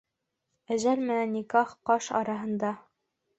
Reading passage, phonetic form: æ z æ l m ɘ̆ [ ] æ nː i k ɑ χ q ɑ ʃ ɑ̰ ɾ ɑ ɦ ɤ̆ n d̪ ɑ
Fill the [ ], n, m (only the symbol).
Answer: n